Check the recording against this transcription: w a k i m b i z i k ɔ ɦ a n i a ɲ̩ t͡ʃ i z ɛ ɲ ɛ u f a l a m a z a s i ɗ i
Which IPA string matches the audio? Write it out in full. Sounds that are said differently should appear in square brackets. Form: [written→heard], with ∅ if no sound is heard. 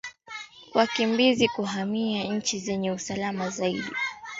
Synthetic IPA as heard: w a k i m b i z i k [ɔ→u] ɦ a [n→m] i a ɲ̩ t͡ʃ i z ɛ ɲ ɛ u [f→s] a l a m a z a [s→∅] i ɗ i